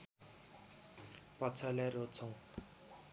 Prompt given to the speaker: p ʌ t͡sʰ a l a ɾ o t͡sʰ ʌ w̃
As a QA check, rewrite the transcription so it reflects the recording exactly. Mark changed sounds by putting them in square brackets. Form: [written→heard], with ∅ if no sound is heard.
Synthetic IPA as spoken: p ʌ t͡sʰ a l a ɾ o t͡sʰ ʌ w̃